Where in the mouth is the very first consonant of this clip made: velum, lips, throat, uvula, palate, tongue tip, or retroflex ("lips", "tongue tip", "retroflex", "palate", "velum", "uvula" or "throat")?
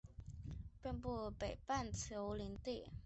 lips